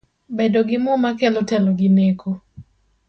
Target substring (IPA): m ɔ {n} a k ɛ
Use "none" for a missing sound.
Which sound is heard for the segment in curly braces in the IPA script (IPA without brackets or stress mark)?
m